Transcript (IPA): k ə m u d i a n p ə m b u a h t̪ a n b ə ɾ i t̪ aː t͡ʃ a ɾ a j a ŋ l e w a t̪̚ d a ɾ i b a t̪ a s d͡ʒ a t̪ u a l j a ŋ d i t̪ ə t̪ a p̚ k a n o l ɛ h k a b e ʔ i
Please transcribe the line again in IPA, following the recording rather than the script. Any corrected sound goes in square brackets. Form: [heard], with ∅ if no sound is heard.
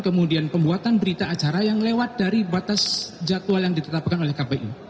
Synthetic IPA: k ə m u d i a n p ə m b u a [∅] t̪ a n b ə ɾ i t̪ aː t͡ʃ a ɾ a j a ŋ l e w a t̪̚ d a ɾ i b a t̪ a s d͡ʒ a t̪ u a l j a ŋ d i t̪ ə t̪ a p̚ k a n o l ɛ h k a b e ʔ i